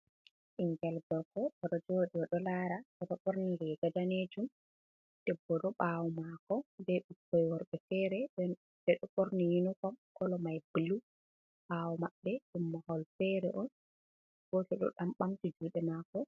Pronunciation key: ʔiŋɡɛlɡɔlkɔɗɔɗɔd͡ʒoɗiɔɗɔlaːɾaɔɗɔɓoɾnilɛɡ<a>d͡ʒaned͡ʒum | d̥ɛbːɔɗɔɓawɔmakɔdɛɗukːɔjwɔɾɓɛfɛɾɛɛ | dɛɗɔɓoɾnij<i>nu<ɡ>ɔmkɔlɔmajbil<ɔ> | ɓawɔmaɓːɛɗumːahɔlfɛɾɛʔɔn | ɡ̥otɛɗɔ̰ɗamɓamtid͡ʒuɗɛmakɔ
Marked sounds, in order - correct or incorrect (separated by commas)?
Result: correct, correct, incorrect, incorrect